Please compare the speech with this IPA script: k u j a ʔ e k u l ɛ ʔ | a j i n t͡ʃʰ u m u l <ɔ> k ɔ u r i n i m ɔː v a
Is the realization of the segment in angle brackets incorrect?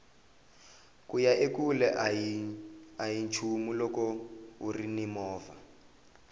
no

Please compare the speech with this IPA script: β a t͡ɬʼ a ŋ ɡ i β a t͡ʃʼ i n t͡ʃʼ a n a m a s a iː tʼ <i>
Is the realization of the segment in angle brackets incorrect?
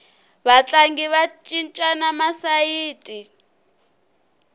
no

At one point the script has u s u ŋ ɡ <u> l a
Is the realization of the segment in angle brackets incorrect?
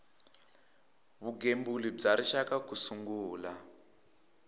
yes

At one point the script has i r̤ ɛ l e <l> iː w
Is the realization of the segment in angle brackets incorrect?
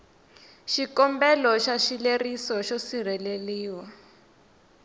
no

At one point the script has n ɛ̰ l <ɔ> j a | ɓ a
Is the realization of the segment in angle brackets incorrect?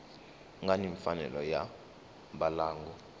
no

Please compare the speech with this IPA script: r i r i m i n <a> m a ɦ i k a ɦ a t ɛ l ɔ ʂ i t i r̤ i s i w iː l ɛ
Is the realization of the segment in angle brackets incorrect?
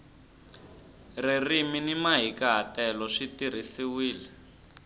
yes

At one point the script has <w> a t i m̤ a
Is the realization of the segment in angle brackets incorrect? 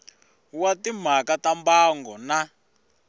no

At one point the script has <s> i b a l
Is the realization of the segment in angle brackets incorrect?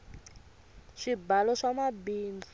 yes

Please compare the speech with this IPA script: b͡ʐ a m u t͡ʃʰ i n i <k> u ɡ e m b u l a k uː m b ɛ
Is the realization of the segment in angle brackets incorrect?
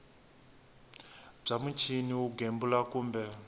yes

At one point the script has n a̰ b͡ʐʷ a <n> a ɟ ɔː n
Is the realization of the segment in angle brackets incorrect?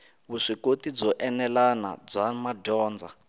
yes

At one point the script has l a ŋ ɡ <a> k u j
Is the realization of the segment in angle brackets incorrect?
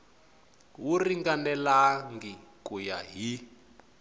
yes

